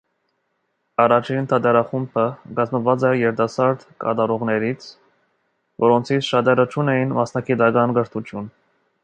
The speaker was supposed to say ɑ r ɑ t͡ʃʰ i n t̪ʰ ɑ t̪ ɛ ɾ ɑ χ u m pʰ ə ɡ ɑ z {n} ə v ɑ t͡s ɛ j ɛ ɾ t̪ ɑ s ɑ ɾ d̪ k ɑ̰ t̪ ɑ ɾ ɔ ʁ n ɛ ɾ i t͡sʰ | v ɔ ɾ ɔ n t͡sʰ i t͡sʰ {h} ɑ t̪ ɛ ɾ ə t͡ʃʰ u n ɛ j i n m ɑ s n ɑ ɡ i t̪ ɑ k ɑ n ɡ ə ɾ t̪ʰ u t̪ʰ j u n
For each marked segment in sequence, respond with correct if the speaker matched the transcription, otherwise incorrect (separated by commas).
incorrect, incorrect